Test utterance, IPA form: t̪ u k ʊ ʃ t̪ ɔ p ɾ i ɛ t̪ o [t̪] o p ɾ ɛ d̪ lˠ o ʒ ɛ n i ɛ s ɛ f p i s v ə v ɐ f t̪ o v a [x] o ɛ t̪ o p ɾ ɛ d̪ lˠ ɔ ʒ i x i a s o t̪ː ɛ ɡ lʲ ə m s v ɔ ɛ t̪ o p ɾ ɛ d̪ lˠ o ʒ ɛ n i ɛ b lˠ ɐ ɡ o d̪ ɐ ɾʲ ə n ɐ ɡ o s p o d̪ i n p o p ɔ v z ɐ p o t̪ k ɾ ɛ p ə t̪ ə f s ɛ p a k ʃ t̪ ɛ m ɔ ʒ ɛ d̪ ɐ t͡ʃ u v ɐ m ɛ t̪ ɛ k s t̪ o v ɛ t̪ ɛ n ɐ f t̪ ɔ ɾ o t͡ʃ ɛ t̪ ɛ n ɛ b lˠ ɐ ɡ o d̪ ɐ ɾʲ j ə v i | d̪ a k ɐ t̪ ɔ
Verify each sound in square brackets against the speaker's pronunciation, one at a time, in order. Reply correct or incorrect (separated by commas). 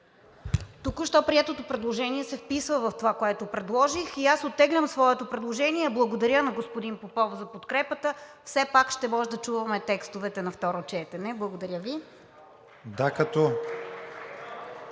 correct, incorrect